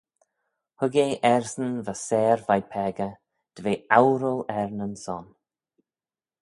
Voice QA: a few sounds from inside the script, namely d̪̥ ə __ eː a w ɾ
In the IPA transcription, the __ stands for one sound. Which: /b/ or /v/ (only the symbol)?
v